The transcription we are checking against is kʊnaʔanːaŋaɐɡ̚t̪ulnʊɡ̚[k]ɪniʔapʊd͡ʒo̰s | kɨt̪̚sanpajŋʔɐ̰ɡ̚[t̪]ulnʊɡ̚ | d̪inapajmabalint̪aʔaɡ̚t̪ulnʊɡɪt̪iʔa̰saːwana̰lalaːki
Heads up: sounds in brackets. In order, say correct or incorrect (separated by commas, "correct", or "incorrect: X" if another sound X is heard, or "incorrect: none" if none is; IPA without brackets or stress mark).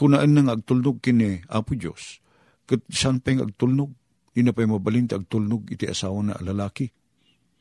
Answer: correct, correct